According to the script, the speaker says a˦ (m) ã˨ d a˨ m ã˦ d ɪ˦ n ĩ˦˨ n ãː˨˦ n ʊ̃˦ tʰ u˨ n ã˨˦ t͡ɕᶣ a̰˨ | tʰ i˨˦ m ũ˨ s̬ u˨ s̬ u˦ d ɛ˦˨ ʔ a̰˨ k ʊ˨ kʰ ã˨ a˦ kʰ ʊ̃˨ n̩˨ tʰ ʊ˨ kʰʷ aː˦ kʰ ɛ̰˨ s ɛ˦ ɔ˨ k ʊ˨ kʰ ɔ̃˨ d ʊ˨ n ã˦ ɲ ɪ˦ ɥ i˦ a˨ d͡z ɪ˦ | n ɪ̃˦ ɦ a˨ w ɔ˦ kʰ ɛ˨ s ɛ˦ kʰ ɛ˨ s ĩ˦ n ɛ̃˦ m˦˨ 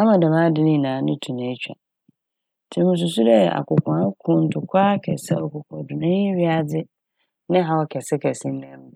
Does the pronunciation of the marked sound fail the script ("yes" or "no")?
no